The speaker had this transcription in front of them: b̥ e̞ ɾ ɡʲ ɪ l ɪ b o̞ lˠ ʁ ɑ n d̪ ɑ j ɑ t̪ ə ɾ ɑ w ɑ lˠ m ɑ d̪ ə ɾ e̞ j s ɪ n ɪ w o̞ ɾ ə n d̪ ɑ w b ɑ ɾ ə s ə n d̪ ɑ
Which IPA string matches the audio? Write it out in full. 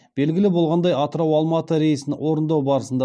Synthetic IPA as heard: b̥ e̞ l ɡʲ ɪ l ɪ b o̞ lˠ ʁ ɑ n d̪ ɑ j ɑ t̪ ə ɾ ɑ w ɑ lˠ m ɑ t̪ ə ɾ e̞ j s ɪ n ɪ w o̞ ɾ ə n d̪ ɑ w b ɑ ɾ ə s ə n d̪ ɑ